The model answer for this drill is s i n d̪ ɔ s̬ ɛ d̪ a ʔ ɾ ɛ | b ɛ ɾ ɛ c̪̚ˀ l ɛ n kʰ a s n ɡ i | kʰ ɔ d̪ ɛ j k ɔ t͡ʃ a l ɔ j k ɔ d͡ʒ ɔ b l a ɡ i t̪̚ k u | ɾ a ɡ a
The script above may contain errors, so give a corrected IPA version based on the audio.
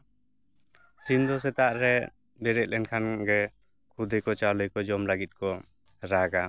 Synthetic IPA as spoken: s i n d̪ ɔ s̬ ɛ t̪ a ʔ ɾ ɛ | b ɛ ɾ ɛ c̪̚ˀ l ɛ n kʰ a n ɡ ɛ | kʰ u d̪ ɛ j k ɔ t͡ʃ a l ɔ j k ɔ d͡ʒ ɔ m l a ɡ i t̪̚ k ɔ | ɾ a ɡ a